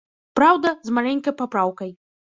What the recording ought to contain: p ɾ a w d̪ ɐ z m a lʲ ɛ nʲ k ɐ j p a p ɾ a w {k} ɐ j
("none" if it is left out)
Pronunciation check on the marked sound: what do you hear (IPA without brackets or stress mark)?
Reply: k